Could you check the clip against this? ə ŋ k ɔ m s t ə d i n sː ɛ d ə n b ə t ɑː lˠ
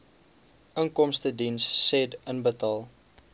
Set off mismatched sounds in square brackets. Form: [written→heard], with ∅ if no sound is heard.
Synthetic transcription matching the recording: ə ŋ k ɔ m s t ə d i n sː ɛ d ə n b ə t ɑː lˠ